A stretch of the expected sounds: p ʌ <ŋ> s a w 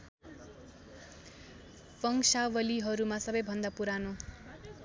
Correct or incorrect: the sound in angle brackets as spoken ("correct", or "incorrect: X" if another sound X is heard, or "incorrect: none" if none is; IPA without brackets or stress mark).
correct